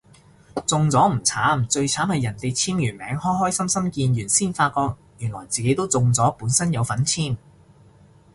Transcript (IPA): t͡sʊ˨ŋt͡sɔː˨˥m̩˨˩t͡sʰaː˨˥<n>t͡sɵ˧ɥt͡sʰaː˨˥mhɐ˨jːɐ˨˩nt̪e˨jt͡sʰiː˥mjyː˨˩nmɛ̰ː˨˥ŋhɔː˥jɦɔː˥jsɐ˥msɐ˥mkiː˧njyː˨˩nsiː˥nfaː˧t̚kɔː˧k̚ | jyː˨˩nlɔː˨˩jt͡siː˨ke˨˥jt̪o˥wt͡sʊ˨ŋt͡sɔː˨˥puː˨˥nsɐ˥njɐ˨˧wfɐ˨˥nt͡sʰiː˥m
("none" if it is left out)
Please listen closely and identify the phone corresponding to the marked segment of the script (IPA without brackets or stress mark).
m